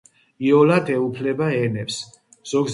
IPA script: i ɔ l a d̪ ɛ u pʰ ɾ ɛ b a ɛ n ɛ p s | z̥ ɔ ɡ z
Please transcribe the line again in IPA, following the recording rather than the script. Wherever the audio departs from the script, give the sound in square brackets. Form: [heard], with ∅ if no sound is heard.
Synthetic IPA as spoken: i ɔ l a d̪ ɛ u pʰ [l] ɛ b a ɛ n ɛ p s | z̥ ɔ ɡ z